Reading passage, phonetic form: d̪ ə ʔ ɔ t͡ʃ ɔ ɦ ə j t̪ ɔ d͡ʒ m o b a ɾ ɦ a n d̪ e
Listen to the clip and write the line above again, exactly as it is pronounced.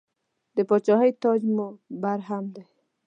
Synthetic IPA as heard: d̪ ə p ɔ t͡ʃ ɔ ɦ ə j t̪ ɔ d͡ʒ m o b a ɾ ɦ a m d̪ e

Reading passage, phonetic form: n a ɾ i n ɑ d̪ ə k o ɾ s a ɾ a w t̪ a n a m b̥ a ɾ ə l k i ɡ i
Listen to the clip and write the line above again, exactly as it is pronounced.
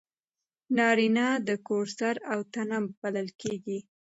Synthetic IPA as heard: n ɑ ɾ i n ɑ d̪ ə k o ɾ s a ɾ a w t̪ a n a m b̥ a l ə l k e ɡ i

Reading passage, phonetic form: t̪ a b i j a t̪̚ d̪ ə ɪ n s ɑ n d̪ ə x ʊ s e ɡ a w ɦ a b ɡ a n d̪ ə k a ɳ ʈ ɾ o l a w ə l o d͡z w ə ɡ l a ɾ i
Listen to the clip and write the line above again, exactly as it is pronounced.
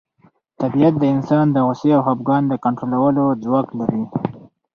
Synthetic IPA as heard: t̪ a b i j a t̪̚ d̪ ə ɪ n s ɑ n d̪ ə ɣ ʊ s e a w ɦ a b ɡ ɑ n d̪ ə k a ɳ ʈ ɾ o l a w ə l o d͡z w ɑ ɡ l a ɾ i

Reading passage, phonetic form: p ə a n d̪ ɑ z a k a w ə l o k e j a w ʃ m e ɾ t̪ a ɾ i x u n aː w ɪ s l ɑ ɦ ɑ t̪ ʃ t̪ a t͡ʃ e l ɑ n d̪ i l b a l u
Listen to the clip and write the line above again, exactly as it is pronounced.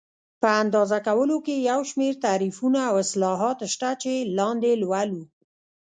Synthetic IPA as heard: p ə a n d̪ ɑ z a k a w ə l o k e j a w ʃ m e ɾ t̪ a ɾ i f u n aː w ɪ s l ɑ ɦ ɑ t̪ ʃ t̪ a t͡ʃ e l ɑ n d̪ e l w a l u

